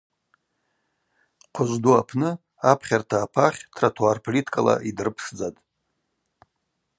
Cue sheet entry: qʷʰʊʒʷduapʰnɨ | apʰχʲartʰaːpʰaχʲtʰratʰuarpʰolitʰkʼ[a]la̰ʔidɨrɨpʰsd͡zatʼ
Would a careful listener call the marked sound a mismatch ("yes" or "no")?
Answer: no